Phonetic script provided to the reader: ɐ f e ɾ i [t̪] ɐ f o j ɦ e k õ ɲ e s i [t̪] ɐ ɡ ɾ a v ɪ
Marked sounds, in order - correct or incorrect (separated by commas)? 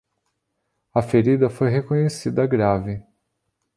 incorrect, incorrect